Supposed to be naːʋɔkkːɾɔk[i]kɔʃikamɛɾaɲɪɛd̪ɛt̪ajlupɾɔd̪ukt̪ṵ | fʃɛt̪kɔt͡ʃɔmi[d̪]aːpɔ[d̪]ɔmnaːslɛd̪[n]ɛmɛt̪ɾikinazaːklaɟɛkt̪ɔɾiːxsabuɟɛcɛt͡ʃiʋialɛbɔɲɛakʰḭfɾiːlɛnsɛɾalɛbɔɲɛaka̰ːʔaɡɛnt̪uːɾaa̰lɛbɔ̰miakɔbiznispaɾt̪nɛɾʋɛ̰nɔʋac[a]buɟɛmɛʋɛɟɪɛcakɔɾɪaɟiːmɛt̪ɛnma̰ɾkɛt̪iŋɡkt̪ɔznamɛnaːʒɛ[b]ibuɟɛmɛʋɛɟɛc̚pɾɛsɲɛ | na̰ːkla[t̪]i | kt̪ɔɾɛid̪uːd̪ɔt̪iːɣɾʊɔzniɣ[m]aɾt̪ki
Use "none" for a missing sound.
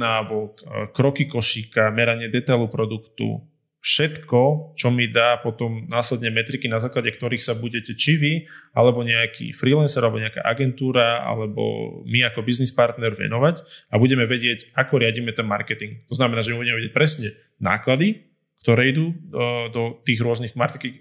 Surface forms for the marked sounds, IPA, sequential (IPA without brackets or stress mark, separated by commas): i, d̪, t̪, ɲ, a, m, d̪, m